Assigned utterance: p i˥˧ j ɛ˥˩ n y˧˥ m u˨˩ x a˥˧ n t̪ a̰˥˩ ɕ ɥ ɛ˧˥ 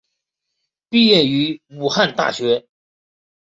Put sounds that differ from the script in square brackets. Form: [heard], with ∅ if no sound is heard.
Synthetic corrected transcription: p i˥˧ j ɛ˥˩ n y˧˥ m u˨˩ x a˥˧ n t̪ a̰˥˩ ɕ ɥ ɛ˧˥